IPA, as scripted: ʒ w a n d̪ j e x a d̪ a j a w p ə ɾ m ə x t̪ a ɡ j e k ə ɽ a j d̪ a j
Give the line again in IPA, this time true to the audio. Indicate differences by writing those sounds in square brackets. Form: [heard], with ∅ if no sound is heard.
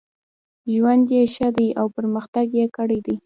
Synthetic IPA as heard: ʒ w a n d̪ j e [ʃ] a d̪ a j a w p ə ɾ m ə x t̪ a ɡ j e k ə ɽ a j d̪ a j